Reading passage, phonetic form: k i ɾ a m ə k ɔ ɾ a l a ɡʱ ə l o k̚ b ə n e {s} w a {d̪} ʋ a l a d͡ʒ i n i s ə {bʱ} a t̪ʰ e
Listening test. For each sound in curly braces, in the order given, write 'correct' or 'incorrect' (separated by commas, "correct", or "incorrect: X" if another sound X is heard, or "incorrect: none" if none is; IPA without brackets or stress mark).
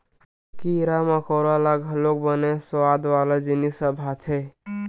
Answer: correct, correct, correct